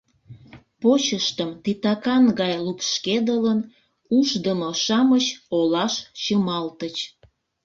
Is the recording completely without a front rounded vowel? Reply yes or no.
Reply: yes